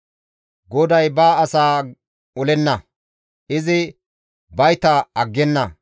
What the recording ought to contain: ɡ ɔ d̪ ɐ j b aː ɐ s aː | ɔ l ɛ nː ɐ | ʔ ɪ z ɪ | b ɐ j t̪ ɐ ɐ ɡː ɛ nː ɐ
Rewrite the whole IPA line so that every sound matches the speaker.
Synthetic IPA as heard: ɡ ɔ d̪ ɐ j b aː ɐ s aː | ɔ l ɛ nː ɐ | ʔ ɪ z ɪ | b ɐ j t̪ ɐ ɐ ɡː ɛ nː ɐ